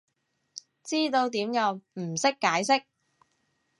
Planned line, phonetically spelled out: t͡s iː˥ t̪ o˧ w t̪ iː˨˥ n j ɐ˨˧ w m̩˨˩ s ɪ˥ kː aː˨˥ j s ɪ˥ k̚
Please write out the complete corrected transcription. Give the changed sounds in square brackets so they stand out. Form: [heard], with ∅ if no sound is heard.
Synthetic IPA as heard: t͡s iː˥ t̪ o˧ w t̪ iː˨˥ [m] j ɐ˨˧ w m̩˨˩ s ɪ˥ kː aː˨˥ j s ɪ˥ k̚